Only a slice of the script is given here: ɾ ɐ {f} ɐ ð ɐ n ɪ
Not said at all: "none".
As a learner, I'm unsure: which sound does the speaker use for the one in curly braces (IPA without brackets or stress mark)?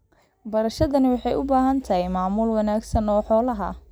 ʃ